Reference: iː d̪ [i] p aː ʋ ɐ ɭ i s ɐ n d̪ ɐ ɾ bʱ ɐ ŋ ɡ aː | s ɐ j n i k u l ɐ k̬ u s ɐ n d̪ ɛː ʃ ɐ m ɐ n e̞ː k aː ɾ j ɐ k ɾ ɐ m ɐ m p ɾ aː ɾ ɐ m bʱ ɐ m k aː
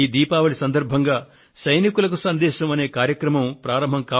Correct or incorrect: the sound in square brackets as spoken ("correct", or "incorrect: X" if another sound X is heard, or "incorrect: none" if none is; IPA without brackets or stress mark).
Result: incorrect: iː